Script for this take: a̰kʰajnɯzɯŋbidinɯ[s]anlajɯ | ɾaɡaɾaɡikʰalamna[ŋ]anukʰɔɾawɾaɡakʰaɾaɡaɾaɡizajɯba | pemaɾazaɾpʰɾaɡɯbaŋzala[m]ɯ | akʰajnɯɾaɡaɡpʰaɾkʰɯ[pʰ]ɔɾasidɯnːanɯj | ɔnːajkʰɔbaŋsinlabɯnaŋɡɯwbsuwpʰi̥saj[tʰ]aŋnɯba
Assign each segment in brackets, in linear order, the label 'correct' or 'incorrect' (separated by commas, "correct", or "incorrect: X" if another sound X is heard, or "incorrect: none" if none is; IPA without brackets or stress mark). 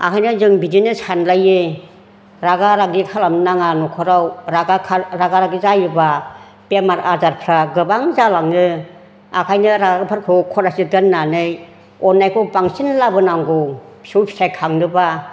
correct, correct, incorrect: ŋ, incorrect: kʰ, incorrect: kʰ